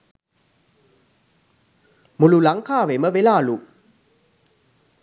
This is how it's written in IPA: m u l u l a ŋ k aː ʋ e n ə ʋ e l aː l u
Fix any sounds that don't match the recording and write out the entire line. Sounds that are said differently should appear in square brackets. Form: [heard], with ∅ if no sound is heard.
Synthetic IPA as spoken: m u l u l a ŋ k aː ʋ e [m] ə ʋ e l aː l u